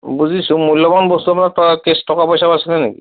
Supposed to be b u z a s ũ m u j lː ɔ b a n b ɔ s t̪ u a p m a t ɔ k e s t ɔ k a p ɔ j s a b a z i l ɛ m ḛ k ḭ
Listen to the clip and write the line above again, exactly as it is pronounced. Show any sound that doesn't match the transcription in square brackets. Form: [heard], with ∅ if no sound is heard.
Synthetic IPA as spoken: b u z [i] s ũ m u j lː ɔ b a n b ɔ s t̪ u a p [n] a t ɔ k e s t ɔ k a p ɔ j s a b a [s] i l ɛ [n] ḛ k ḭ